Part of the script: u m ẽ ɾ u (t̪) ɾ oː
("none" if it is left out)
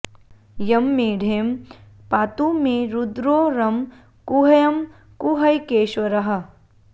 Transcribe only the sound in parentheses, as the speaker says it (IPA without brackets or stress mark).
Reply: d̪